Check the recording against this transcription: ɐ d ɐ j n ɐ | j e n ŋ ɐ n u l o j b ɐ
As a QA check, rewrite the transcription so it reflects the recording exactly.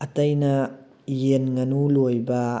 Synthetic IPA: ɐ t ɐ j n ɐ | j e n ŋ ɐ n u l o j b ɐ